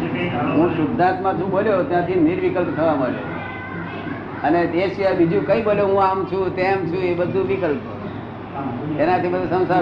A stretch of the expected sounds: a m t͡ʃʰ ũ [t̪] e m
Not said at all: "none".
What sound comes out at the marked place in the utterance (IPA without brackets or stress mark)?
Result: t̪